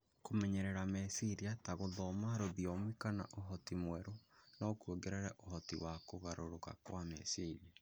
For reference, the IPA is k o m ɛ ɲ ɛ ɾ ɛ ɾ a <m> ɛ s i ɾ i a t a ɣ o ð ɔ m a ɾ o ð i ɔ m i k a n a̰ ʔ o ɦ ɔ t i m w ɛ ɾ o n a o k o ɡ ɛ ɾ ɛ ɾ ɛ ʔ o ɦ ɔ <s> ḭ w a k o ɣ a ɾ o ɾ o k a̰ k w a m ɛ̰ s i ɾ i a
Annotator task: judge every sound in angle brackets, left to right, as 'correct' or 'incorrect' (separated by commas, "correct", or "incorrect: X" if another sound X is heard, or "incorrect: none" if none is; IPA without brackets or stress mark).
correct, incorrect: t